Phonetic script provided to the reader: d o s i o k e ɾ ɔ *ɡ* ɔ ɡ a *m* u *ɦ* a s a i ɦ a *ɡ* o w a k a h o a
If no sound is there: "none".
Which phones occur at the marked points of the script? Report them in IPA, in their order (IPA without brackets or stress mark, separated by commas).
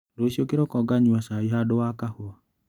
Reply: k, ɲ, none, d